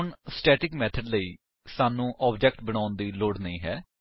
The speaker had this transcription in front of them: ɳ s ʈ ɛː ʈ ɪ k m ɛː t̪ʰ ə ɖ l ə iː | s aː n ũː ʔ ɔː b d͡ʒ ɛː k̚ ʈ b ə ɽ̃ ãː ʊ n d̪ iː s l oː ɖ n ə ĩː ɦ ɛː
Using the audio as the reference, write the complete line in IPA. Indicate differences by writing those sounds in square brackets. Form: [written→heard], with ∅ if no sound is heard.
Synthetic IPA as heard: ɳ s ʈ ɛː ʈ ɪ k m ɛː t̪ʰ ə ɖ l ə iː | s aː n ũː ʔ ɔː b d͡ʒ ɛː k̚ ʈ b ə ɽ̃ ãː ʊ n d̪ iː [s→∅] l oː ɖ n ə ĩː ɦ ɛː